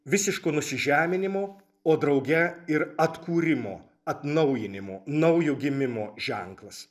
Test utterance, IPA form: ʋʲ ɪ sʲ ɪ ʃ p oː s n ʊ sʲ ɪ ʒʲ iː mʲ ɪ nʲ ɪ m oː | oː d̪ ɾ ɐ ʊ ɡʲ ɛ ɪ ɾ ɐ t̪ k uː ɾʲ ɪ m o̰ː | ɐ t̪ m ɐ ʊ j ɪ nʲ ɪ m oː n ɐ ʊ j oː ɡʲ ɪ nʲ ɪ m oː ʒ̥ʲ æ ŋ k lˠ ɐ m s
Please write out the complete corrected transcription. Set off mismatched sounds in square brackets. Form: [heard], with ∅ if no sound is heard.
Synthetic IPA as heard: ʋʲ ɪ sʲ ɪ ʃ [k] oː [∅] n ʊ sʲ ɪ ʒʲ [æː] mʲ ɪ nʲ ɪ m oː | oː d̪ ɾ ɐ ʊ ɡʲ ɛ ɪ ɾ ɐ t̪ k uː ɾʲ ɪ m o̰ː | ɐ t̪ [n] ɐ ʊ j ɪ nʲ ɪ m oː n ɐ ʊ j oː ɡʲ ɪ [mʲ] ɪ m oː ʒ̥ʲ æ ŋ k lˠ ɐ [∅] s